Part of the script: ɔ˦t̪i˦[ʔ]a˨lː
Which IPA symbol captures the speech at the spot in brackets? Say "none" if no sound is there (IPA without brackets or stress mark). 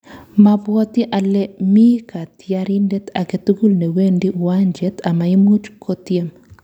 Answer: ʔ